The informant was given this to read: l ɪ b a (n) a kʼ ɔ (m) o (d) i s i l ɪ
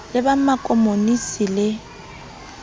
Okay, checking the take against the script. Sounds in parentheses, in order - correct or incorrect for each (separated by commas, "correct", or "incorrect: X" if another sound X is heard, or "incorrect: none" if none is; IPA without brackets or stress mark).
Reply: incorrect: m, correct, incorrect: n